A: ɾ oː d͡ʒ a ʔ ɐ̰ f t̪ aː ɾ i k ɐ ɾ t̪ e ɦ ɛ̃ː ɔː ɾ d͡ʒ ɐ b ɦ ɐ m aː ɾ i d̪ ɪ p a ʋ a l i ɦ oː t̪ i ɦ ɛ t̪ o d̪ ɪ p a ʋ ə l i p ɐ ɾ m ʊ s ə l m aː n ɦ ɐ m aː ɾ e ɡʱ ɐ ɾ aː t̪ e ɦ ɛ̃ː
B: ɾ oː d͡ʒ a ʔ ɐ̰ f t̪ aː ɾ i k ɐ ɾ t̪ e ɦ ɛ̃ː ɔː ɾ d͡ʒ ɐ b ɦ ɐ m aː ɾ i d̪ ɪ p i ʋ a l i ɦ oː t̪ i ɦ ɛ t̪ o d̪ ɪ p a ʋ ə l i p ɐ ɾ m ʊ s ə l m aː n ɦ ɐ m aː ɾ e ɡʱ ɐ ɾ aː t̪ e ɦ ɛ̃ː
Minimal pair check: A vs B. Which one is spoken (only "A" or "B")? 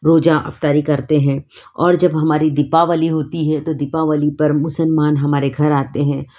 A